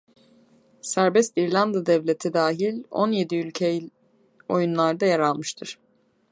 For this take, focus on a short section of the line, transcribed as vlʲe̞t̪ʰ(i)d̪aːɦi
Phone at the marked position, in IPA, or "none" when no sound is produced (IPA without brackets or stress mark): i